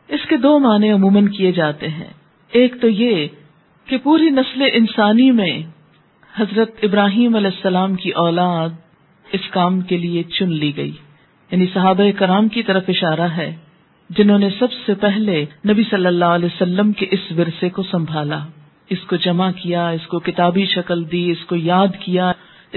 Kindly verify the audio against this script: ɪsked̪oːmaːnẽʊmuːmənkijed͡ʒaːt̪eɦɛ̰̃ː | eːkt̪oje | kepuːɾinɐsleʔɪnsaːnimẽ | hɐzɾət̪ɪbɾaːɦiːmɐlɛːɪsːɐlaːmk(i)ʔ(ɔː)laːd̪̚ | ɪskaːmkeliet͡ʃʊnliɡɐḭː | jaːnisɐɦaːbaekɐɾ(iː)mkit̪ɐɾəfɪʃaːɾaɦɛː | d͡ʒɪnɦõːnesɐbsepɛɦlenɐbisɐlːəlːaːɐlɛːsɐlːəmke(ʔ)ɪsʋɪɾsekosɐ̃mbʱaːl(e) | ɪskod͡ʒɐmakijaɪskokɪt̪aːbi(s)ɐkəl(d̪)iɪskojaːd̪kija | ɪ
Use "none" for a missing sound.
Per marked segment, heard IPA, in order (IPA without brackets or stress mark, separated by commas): i, ɔː, aː, ʔ, a, ʃ, d̪